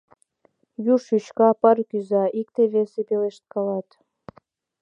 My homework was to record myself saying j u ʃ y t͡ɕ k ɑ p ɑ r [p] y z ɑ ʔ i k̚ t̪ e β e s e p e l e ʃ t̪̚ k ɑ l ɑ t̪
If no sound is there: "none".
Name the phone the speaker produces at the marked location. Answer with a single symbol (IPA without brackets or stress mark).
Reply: k